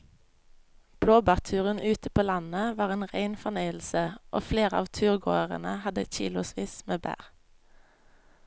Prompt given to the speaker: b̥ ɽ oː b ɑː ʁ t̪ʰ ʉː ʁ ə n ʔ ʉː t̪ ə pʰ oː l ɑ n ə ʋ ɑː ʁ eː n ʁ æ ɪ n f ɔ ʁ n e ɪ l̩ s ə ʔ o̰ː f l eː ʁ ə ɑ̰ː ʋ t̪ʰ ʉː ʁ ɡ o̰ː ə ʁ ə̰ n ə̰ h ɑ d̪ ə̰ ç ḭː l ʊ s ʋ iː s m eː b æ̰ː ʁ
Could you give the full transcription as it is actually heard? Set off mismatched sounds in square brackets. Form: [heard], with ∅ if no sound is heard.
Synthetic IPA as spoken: b̥ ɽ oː b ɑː ʁ t̪ʰ ʉː ʁ ə n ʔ ʉː t̪ ə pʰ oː l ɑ n ə ʋ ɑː ʁ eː n ʁ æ ɪ n f ɔ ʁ n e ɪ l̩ s ə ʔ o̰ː f l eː ʁ ə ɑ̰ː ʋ t̪ʰ ʉː ʁ ɡ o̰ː ə ʁ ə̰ n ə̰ h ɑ d̪ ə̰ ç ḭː l ʊ s ʋ iː s m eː b æ̰ː ʁ